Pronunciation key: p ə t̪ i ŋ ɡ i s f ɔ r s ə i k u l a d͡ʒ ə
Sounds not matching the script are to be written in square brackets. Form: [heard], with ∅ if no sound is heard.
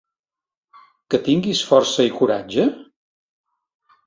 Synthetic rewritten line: [k] ə t̪ i ŋ ɡ i s f ɔ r s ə i k u [ɾ] a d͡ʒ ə